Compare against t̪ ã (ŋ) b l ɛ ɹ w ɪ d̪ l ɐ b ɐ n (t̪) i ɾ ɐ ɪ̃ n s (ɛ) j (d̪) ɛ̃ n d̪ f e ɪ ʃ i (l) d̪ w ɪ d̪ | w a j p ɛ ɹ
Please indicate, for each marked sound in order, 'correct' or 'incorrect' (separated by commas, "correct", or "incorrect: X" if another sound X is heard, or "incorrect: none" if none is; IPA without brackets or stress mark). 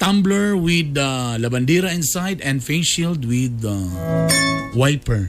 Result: incorrect: m, incorrect: d̪, incorrect: a, correct, correct